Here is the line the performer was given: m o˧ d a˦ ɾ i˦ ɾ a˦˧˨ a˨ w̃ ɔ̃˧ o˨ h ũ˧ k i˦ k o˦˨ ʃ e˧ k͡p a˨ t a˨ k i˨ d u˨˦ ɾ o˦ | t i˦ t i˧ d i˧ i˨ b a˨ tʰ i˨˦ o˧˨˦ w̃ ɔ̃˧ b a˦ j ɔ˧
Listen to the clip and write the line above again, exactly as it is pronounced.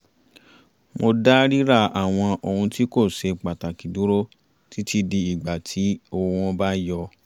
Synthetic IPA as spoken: m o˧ d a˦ ɾ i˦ ɾ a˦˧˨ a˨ w̃ ɔ̃˧ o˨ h ũ˧ t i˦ k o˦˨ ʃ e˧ k͡p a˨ t a˨ k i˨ d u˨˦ ɾ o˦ | t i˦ t i˧ d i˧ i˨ ɡ͡b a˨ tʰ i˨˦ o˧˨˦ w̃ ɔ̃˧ b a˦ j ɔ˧

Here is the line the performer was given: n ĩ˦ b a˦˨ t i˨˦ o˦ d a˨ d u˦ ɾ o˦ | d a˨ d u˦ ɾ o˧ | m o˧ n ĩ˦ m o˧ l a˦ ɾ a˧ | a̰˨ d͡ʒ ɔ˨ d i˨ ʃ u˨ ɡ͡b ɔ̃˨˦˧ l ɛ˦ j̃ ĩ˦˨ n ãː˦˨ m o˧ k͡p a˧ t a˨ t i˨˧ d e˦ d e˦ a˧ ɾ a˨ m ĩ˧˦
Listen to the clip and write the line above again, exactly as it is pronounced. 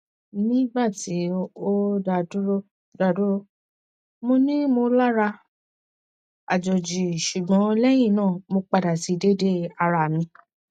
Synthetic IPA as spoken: n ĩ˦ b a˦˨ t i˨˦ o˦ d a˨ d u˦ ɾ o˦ | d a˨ d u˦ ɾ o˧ | m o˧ n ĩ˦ m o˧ l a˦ ɾ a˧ | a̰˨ d͡ʒ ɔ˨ d͡ʒ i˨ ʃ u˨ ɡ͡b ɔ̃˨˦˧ l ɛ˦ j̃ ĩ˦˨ n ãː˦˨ m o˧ k͡p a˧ d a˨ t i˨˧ d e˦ d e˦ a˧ ɾ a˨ m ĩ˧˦

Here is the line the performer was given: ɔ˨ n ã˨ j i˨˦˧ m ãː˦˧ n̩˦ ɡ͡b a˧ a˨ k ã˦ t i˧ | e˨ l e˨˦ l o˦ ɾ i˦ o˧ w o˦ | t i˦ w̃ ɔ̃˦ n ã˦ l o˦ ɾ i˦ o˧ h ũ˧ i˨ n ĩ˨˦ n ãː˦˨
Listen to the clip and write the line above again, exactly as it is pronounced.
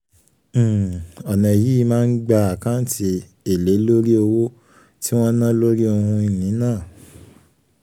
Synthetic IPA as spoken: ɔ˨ n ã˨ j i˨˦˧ m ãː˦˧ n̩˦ ɡ͡b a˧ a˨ k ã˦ t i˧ | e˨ l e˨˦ l o˦ ɾ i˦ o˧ w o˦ | t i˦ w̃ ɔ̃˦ n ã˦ l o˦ ɾ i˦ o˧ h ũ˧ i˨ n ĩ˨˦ n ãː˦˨

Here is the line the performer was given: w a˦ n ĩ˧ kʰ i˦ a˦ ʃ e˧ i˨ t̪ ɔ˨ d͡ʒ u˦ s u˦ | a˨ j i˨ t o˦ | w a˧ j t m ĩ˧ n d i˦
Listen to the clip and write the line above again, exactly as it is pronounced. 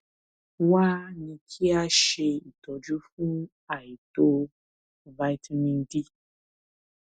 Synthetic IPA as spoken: w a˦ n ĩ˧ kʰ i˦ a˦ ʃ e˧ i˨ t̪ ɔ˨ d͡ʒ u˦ f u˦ | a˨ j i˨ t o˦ | v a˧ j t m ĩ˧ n d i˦

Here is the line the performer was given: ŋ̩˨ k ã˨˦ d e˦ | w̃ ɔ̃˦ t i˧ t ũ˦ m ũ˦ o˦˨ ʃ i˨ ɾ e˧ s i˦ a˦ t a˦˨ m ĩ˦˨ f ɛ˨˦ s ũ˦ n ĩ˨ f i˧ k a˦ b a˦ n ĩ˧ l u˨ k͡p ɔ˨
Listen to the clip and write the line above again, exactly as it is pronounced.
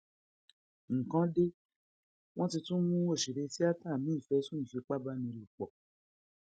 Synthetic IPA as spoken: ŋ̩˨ k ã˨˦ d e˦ | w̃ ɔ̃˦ t i˧ t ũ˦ m ũ˦ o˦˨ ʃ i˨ ɾ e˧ s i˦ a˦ t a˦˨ m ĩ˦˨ f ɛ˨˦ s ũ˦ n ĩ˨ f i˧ k͡p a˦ b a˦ n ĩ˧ l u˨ k͡p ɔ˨

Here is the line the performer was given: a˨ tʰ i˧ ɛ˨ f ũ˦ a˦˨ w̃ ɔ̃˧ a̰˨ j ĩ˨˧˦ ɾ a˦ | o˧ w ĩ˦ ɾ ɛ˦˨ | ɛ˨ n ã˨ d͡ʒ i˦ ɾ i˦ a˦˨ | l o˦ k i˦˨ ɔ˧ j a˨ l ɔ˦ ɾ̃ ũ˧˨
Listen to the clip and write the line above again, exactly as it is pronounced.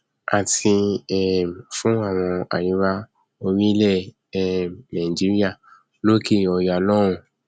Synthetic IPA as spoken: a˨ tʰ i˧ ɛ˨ f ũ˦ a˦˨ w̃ ɔ̃˧ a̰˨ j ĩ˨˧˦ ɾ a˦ | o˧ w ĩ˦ l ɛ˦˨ | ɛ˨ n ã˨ d͡ʒ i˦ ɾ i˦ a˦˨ | l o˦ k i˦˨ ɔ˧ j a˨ l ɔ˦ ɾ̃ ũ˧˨

